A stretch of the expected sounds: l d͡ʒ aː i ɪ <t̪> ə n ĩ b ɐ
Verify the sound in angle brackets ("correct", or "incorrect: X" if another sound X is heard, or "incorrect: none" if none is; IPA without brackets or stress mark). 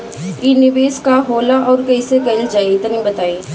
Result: correct